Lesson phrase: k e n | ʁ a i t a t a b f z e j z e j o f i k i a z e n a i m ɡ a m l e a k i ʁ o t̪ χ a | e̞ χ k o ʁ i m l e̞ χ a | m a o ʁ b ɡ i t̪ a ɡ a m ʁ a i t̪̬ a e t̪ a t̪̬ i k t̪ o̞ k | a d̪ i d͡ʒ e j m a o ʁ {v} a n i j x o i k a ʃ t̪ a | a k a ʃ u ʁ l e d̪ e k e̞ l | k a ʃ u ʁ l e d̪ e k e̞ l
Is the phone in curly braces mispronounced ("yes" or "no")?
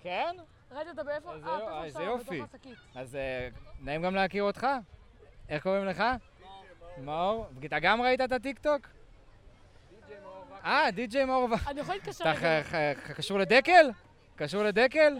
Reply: no